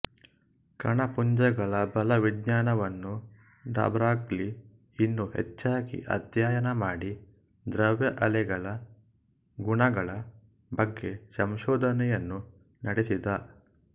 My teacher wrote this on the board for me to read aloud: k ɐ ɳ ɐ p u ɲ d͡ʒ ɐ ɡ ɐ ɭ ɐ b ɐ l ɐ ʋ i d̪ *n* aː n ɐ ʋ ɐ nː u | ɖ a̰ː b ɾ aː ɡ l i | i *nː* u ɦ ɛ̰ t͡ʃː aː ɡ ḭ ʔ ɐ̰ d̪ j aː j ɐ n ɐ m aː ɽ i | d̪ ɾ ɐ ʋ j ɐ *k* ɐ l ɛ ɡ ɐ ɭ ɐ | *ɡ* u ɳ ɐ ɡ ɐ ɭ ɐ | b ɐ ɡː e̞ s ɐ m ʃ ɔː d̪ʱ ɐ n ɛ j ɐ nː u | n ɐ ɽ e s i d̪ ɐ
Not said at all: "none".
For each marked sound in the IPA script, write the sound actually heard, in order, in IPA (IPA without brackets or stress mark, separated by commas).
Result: ɲ, nː, ʔ, ɡ